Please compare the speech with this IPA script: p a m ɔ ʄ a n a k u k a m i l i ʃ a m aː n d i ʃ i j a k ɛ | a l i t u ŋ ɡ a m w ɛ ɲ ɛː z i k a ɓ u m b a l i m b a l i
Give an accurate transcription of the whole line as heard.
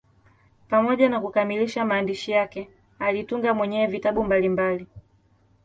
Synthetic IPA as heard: p a m ɔ ʄ a n a k u k a m i l i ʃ a m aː n d i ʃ i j a k ɛ | a l i t u ŋ ɡ a m w ɛ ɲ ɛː v i t a ɓ u m b a l i m b a l i